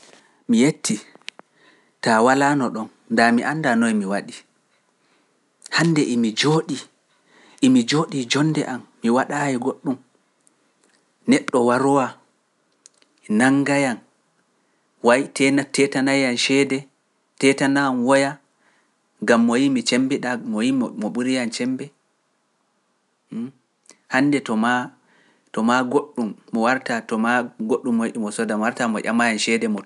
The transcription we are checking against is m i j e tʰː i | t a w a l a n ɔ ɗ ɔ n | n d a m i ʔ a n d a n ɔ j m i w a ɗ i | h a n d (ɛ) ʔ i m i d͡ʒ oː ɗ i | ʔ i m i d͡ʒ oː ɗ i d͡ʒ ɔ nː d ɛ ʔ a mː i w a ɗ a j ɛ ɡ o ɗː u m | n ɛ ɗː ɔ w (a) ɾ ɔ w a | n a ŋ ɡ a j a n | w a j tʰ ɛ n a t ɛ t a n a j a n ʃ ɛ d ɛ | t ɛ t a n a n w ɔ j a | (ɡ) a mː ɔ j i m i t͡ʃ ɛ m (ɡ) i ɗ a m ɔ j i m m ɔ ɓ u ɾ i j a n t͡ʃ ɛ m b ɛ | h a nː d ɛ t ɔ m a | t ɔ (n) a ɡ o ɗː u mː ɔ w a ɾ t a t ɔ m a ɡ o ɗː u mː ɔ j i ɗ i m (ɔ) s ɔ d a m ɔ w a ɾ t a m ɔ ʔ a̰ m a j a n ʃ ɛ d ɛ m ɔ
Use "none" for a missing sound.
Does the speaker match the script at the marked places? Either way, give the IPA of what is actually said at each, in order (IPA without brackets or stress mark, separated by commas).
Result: ɛ, a, ɡ, b, m, ɔ